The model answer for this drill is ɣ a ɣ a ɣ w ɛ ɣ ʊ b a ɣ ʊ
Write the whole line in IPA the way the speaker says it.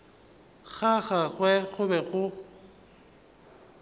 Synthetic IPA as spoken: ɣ a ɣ a ɣ w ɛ ɣ ʊ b ɛ ɣ ʊ